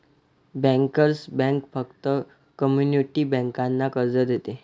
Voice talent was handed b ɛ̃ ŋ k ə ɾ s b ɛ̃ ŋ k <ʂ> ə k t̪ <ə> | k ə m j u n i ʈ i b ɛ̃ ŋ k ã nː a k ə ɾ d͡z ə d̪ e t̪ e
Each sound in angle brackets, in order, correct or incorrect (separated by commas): incorrect, correct